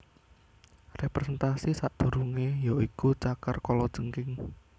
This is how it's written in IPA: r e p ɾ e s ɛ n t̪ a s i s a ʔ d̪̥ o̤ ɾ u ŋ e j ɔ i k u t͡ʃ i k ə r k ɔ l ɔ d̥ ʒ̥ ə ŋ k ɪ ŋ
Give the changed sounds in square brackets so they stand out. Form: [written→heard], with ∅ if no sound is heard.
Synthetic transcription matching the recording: r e p ɾ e s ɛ n t̪ a s i s a ʔ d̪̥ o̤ ɾ u ŋ e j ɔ i k u t͡ʃ [i→a] k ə r k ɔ l ɔ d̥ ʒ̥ ə ŋ k ɪ ŋ